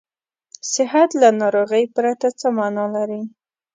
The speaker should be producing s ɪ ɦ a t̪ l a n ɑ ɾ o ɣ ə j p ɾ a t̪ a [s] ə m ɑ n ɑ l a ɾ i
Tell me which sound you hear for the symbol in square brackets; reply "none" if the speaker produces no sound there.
t͡s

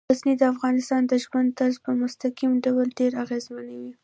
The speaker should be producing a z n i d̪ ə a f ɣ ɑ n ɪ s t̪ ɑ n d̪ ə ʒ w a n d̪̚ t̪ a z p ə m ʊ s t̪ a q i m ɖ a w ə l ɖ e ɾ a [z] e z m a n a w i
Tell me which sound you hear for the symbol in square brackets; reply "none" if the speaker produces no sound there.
ɣ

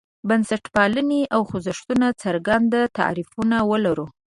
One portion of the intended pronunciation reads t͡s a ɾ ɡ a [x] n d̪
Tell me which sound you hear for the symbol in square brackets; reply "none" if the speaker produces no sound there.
none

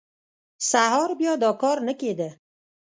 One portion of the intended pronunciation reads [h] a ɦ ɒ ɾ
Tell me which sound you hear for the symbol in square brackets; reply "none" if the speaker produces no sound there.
s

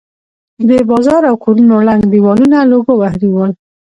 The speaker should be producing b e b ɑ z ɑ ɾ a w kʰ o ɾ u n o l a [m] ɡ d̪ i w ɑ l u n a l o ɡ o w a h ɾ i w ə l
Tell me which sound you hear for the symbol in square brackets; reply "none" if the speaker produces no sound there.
ŋ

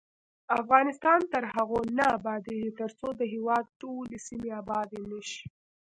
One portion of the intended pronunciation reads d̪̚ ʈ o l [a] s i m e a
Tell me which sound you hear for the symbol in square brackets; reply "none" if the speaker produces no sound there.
e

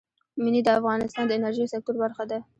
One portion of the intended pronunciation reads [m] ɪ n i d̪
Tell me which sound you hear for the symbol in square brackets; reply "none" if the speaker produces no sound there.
m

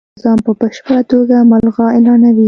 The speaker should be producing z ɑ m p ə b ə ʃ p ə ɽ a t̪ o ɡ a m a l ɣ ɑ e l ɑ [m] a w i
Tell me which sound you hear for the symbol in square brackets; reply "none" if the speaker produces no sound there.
n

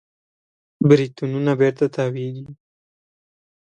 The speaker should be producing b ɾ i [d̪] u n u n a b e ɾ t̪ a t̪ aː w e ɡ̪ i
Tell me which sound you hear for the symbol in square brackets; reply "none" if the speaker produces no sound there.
t̪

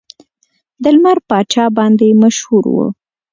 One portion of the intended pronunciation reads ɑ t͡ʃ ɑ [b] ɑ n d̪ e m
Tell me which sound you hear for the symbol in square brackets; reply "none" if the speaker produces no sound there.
b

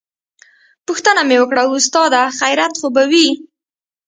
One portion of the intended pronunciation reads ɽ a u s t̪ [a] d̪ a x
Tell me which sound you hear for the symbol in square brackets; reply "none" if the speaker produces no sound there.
ɑ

